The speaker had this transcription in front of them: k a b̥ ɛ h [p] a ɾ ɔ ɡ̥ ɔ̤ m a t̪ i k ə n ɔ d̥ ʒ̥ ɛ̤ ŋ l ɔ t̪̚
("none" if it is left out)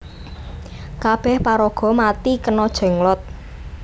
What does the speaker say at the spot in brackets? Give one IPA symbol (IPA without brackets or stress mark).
p